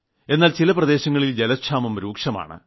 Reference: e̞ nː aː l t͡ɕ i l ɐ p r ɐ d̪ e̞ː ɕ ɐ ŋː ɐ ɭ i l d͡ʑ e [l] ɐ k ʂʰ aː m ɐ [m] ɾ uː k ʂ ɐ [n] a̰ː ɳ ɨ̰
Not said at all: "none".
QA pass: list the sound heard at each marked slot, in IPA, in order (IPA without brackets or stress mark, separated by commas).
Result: l, m, m